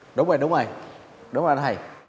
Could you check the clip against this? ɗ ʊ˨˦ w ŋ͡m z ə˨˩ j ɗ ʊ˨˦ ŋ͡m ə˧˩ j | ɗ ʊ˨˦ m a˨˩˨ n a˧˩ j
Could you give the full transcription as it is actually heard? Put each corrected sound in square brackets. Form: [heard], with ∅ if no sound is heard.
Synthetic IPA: ɗ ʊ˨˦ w ŋ͡m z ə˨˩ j ɗ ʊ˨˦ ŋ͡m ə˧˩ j | ɗ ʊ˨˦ [ŋ͡m] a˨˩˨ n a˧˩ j